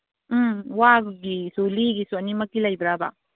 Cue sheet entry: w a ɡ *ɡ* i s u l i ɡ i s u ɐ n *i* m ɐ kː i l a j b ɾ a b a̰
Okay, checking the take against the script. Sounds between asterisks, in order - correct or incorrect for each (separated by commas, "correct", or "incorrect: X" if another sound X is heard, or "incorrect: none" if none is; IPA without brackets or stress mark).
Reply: correct, correct